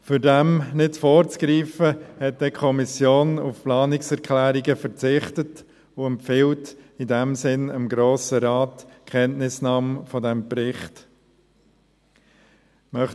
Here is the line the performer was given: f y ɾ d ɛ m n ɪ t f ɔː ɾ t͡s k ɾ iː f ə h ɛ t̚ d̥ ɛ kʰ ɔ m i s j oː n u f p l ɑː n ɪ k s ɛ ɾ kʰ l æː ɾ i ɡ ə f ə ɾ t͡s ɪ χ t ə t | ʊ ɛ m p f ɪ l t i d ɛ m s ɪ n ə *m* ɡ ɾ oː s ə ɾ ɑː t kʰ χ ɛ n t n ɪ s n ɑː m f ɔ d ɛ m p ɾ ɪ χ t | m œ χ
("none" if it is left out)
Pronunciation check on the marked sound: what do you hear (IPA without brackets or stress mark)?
m